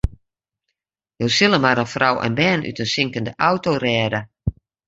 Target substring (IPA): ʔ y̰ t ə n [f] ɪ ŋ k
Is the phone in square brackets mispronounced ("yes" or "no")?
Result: yes